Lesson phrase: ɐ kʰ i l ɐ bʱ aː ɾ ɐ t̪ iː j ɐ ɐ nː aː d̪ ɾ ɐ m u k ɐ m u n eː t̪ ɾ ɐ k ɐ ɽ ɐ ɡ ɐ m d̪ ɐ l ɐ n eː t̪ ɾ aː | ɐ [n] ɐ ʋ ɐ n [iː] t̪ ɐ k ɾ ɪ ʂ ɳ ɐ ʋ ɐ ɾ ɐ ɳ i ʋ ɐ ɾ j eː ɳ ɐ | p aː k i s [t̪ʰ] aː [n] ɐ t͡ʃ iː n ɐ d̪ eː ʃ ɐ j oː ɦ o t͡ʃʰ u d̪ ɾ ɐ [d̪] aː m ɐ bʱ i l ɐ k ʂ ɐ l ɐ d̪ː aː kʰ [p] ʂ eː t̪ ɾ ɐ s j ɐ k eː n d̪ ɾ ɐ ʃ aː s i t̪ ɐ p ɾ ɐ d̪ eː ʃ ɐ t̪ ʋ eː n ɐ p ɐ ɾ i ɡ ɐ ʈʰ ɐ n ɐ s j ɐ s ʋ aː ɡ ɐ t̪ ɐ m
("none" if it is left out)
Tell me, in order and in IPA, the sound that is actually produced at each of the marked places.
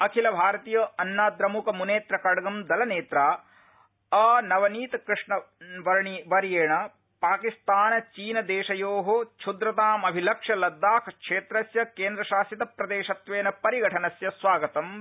n, iː, t̪, n, t̪, k

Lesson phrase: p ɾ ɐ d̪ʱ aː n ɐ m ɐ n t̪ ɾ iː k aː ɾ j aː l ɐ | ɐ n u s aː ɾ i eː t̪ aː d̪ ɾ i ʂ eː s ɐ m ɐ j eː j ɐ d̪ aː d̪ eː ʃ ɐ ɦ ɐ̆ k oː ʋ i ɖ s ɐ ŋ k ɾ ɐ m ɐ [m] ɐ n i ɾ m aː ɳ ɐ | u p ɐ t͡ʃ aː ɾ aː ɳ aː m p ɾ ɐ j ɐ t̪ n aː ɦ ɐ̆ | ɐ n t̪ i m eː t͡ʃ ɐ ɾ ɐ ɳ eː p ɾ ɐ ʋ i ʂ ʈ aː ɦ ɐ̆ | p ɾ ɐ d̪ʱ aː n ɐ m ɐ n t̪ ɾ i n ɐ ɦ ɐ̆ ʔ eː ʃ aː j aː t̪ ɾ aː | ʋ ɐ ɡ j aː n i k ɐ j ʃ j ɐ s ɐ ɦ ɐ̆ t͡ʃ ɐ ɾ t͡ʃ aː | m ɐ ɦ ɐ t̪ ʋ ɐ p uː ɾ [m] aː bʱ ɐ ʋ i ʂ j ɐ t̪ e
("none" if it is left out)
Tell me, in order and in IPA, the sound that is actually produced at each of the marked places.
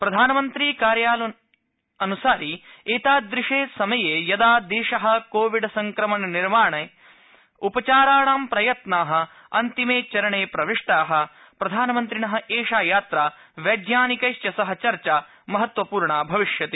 n, ɳ

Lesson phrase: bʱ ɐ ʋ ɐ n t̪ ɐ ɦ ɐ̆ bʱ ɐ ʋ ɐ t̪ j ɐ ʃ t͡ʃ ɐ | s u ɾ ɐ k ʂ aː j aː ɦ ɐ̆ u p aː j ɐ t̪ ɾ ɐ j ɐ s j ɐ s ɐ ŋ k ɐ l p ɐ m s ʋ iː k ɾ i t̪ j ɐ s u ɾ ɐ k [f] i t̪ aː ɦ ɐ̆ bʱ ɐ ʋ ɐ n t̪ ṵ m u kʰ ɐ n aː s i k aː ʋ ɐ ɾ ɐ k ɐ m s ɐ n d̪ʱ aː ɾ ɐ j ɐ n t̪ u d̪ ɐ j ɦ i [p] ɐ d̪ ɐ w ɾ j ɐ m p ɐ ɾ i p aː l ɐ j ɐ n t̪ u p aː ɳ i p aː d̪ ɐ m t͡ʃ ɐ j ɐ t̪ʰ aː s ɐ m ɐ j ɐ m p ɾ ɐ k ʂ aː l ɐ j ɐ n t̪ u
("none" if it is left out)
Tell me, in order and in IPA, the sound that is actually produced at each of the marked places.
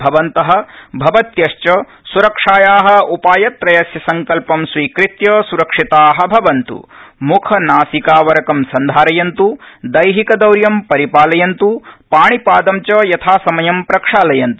ʂ, k

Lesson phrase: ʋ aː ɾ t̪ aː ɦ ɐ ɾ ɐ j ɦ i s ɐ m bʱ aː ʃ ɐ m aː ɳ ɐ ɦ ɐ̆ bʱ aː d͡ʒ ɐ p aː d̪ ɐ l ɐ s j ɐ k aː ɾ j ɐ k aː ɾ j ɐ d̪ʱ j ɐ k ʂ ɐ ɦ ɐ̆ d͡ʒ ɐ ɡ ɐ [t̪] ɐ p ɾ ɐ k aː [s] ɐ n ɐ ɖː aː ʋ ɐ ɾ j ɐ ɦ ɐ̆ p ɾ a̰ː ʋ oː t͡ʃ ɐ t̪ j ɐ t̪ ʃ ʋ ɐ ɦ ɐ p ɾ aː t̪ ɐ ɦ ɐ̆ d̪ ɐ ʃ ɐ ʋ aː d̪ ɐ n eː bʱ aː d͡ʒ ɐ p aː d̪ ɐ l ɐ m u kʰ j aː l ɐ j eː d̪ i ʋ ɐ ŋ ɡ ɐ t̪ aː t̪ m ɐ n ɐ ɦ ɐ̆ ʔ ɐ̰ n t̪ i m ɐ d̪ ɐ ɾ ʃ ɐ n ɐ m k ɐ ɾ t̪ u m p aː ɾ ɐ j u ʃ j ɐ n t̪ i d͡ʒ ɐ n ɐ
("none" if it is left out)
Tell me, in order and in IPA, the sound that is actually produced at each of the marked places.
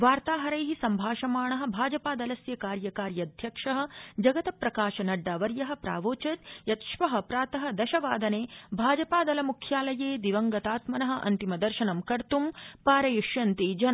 t̪, ʃ

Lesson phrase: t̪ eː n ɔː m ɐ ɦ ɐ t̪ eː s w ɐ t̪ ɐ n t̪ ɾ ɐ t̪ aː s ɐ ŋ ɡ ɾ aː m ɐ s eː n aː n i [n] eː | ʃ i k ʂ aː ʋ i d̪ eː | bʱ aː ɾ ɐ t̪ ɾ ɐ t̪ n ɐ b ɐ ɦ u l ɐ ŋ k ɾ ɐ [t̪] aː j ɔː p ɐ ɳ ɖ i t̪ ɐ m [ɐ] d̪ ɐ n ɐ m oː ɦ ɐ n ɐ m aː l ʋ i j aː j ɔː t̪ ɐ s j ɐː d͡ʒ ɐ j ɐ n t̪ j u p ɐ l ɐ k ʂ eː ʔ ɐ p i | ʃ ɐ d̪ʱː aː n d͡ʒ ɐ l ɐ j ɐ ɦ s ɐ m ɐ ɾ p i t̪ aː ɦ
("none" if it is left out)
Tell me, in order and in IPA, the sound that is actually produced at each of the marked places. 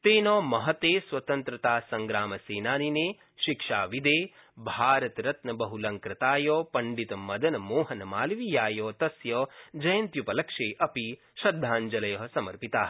n, t̪, ɐ

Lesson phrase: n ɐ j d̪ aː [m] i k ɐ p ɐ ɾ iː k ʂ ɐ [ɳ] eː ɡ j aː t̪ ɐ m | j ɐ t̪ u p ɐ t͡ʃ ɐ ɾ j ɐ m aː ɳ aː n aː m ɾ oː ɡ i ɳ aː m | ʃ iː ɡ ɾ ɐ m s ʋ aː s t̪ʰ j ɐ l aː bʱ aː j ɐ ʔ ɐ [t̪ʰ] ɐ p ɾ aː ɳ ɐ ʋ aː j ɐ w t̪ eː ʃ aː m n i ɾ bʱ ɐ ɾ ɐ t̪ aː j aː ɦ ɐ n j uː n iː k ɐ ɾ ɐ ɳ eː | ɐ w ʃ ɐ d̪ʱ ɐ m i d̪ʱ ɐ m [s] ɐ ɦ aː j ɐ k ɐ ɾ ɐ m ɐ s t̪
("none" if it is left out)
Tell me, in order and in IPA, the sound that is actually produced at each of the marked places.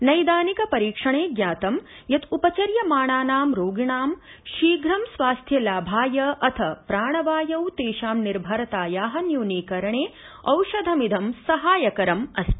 n, ɳ, t̪ʰ, s

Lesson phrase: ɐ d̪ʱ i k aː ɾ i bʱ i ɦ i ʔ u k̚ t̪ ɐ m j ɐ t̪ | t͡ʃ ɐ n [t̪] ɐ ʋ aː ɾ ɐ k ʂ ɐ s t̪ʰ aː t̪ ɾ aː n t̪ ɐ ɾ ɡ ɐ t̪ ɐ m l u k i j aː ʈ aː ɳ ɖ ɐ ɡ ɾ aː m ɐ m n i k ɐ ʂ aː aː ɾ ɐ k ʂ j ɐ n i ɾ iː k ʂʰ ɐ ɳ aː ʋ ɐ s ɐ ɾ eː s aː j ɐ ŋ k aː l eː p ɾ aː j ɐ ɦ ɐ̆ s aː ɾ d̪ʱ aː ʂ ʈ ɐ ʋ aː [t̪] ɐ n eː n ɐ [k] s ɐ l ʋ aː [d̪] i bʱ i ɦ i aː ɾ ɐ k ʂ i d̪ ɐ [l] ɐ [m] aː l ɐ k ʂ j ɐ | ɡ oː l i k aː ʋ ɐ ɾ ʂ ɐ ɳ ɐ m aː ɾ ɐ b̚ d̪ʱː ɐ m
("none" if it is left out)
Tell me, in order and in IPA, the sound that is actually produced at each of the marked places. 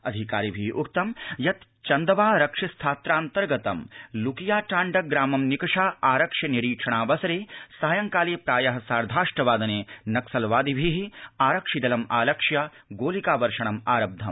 d̪, d̪, k, d̪, l, m

